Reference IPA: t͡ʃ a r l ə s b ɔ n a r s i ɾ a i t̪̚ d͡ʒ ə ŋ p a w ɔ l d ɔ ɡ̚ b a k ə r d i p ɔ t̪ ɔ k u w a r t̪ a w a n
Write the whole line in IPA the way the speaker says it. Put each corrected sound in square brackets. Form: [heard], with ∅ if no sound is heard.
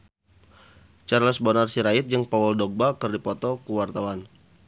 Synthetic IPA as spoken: t͡ʃ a r l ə s b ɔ n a r s i ɾ a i t̪̚ d͡ʒ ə ŋ p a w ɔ l d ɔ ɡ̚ b a k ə r d i p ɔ t̪ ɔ k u w a r t̪ a w a n

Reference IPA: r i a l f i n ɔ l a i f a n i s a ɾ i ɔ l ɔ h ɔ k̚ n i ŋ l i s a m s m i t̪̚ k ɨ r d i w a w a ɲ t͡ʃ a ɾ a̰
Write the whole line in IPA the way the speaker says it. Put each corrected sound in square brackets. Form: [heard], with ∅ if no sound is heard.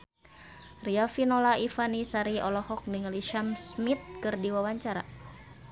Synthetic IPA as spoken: r i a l f i n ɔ l a i f a n i s a ɾ i ɔ l ɔ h ɔ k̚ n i ŋ l i [ʃ] a m s m i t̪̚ k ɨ r d i w a w a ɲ t͡ʃ a ɾ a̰

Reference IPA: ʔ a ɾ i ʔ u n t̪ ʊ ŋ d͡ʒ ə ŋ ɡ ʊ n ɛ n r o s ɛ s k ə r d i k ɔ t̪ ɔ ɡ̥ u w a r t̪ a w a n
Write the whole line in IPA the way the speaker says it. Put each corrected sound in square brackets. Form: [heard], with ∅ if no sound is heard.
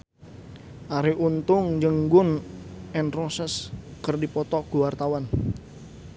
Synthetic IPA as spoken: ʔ a ɾ i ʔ u n t̪ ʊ ŋ d͡ʒ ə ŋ ɡ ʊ n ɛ n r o s ɛ s k ə r d i [p] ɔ t̪ ɔ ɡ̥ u w a r t̪ a w a n

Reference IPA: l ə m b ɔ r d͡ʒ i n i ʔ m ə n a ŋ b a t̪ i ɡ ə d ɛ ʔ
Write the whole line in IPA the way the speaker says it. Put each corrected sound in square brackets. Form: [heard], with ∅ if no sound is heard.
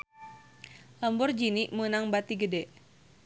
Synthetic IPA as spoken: l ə m b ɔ r d͡ʒ i n i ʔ m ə n a ŋ b a t̪ i ɡ ə d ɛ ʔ

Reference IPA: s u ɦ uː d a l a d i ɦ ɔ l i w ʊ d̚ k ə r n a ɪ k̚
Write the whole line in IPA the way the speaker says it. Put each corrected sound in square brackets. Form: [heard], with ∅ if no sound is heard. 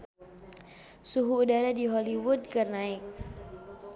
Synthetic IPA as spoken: s u ɦ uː d a [ɾ] a d i ɦ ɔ l i w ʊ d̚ k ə r n a ɪ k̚

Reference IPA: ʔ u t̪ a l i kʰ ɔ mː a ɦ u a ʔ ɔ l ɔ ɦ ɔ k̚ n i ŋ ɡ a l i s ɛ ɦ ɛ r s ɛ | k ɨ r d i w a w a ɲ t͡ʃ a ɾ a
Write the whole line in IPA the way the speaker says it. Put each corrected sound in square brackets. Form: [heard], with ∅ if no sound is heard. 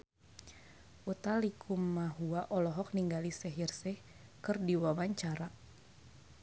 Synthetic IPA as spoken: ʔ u t̪ a l i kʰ [u] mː a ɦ u a ʔ ɔ l ɔ ɦ ɔ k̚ n i ŋ ɡ a l i s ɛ ɦ [i] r s ɛ | k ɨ r d i w a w a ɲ t͡ʃ a ɾ a

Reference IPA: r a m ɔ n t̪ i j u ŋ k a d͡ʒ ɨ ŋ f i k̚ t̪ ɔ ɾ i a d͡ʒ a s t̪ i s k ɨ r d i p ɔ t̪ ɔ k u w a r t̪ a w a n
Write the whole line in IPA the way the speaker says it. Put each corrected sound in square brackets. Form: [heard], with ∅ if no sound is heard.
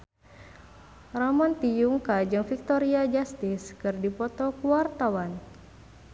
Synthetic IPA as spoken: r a m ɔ n t̪ i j u ŋ k a d͡ʒ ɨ ŋ f i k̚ t̪ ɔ ɾ i a d͡ʒ a s t̪ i s k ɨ r d i p ɔ t̪ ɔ k u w a r t̪ a w a n

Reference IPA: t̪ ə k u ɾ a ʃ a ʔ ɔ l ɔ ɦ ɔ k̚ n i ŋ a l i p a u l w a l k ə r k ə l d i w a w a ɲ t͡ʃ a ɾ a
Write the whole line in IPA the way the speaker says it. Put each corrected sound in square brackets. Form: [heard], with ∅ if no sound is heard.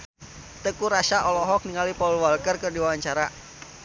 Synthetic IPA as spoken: t̪ ə k u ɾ a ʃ a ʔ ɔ l ɔ ɦ ɔ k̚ n i ŋ a l i p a u l w a l k ə r k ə [r] d i w a w a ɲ t͡ʃ a ɾ a

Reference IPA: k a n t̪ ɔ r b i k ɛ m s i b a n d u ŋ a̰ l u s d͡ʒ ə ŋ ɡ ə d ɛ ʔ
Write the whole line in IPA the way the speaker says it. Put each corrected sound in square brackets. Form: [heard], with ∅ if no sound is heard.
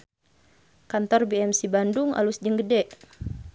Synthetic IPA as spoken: k a n t̪ ɔ r b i [∅] ɛ m s i b a n d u ŋ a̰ l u s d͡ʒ ə ŋ ɡ ə d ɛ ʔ

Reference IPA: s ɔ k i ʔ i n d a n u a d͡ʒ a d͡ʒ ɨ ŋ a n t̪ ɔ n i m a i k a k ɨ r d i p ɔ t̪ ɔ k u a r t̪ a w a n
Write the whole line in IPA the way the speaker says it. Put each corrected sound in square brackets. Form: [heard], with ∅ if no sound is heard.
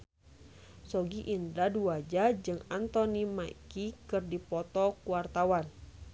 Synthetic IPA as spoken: s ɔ [ɡ] i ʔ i n d a [d] u a d͡ʒ a d͡ʒ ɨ ŋ a n t̪ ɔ n i m a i k [i] k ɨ r d i p ɔ t̪ ɔ k u a r t̪ a w a n

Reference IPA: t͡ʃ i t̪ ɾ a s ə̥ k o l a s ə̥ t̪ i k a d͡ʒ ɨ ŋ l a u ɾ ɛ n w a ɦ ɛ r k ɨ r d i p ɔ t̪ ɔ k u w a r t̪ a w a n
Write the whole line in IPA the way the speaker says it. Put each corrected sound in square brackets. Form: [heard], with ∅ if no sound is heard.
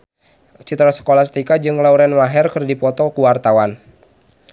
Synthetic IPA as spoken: t͡ʃ i t̪ ɾ a s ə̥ k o l a s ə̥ t̪ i k a d͡ʒ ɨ ŋ l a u ɾ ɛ n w a ɦ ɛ r k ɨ r d i p ɔ t̪ ɔ k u w a r t̪ a w a n

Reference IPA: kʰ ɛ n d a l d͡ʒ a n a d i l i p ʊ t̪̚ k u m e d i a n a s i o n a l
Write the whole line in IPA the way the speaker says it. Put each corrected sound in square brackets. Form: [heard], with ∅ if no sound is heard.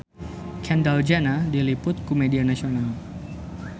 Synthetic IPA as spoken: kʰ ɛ n d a l d͡ʒ a n a d i l i p ʊ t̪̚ k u m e d i a n a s i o n a l

